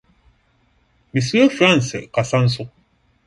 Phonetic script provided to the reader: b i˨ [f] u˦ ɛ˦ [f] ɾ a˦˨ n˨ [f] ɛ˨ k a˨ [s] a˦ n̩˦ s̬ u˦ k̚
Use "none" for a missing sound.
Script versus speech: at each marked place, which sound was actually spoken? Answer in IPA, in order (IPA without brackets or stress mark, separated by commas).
s, f, s, s